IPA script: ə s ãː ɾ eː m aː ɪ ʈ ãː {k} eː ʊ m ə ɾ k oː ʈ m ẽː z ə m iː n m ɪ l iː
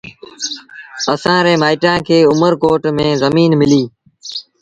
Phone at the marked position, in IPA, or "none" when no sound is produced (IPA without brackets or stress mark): kʰ